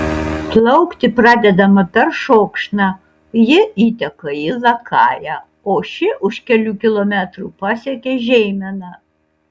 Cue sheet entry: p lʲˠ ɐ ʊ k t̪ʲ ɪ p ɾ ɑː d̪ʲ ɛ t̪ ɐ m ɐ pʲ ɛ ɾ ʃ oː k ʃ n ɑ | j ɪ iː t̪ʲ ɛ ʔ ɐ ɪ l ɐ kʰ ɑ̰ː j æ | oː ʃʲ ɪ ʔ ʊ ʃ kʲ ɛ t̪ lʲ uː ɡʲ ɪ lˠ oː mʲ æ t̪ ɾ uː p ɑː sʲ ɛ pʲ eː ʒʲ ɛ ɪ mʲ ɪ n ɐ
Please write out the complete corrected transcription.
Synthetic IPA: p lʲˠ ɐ ʊ k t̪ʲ ɪ p ɾ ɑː d̪ʲ ɛ d̪ ɐ m ɐ pʲ ɛ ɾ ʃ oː k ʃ n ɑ | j ɪ iː t̪ʲ ɛ k ɐ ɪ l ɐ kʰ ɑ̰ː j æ | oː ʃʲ ɪ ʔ ʊ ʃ kʲ ɛ lʲ uː kʲ ɪ lˠ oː mʲ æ t̪ ɾ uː p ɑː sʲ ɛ kʲ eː ʒʲ ɛ ɪ mʲ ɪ n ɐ